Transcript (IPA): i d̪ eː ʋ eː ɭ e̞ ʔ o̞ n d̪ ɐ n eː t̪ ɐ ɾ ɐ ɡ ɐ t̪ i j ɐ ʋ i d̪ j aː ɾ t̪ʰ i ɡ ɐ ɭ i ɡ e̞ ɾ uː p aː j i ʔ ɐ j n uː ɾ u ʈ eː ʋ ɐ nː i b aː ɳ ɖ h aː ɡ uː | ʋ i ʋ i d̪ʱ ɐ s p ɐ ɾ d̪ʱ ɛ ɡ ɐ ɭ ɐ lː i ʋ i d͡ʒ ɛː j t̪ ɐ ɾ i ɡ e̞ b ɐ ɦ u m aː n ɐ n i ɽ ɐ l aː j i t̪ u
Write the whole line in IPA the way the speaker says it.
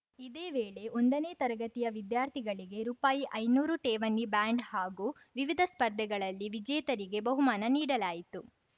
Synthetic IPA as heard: i d̪ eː ʋ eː ɭ e̞ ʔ o̞ n d̪ ɐ n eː t̪ ɐ ɾ ɐ ɡ ɐ t̪ i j ɐ ʋ i d̪ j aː ɾ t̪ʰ i ɡ ɐ ɭ i ɡ e̞ ɾ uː p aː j i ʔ ɐ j n uː ɾ u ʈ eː ʋ ɐ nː i b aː ɳ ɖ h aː ɡ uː | ʋ i ʋ i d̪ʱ ɐ s p ɐ ɾ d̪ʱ ɛ ɡ ɐ ɭ ɐ lː i ʋ i d͡ʒ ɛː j t̪ ɐ ɾ i ɡ e̞ b ɐ ɦ u m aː n ɐ n iː ɽ ɐ l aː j i t̪ u

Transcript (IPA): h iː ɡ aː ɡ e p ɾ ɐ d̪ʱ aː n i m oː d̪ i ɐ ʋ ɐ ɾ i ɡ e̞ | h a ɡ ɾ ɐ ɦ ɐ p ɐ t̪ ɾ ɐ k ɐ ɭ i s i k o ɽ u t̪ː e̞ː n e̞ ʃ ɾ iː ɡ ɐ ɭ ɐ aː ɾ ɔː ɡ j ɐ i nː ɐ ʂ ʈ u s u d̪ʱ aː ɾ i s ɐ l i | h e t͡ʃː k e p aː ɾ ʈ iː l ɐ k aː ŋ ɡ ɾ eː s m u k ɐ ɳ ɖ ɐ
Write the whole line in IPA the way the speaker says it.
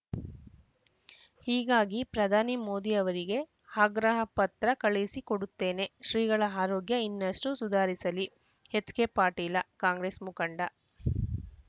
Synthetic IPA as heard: h iː ɡ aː ɡ i p ɾ ɐ d̪ʱ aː n i m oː d̪ i ɐ ʋ ɐ ɾ i ɡ e̞ | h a ɡ ɾ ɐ ɦ ɐ p ɐ t̪ ɾ ɐ k ɐ ɭ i s i k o ɽ u t̪ː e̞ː n e̞ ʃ ɾ iː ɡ ɐ ɭ ɐ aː ɾ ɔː ɡ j ɐ i nː ɐ ʂ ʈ u s u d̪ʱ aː ɾ i s ɐ l i | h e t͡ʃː k e p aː ɾ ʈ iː l ɐ k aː ŋ ɡ ɾ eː s m u k ɐ ɳ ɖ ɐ

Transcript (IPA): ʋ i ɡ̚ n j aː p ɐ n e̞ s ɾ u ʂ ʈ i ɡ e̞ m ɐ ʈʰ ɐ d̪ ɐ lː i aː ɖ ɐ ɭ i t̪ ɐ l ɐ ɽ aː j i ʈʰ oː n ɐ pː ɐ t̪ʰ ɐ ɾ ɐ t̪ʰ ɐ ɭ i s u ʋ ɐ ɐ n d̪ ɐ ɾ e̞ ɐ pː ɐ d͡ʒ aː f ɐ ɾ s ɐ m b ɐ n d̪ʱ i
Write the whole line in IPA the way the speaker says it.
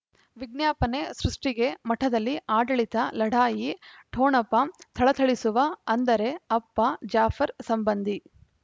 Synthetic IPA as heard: ʋ i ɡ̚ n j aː p ɐ n e̞ s ɾ u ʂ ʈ i ɡ e̞ m ɐ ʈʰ ɐ d̪ ɐ lː i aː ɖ ɐ ɭ i t̪ ɐ l ɐ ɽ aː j i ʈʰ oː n ɐ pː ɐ t̪ʰ ɐ ɭ ɐ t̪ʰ ɐ ɭ i s u ʋ ɐ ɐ n d̪ ɐ ɾ e̞ ɐ pː ɐ d͡ʒ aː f ɐ ɾ s ɐ m b ɐ n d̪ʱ i

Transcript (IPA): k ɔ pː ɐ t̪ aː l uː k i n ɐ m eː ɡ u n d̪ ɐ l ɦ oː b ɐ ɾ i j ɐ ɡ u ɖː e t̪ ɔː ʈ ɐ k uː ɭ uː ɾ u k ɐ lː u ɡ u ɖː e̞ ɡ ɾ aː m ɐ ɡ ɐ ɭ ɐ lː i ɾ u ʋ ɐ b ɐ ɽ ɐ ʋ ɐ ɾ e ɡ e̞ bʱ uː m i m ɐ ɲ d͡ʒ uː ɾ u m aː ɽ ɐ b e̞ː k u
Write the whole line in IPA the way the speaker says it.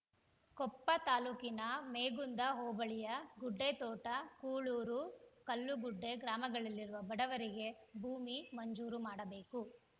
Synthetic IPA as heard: k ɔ pː ɐ t̪ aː l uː k i n ɐ m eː ɡ u n d̪ ɐ ɦ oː b ɐ ɭ i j ɐ ɡ u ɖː e t̪ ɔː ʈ ɐ k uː ɭ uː ɾ u k ɐ lː u ɡ u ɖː e̞ ɡ ɾ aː m ɐ ɡ ɐ ɭ ɐ lː i ɾ u ʋ ɐ b ɐ ɽ ɐ ʋ ɐ ɾ i ɡ e̞ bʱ uː m i m ɐ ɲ d͡ʒ uː ɾ u m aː ɽ ɐ b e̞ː k u

